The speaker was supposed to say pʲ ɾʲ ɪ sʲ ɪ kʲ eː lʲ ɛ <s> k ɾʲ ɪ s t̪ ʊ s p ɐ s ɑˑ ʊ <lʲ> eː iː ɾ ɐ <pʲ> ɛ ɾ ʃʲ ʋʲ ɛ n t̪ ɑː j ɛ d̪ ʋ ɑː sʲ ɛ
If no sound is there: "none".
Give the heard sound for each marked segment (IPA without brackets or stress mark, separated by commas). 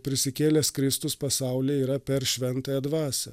s, lʲ, pʲ